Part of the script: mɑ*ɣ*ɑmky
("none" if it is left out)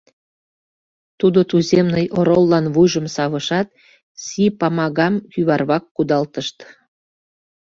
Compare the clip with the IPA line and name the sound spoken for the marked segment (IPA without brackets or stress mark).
ɣ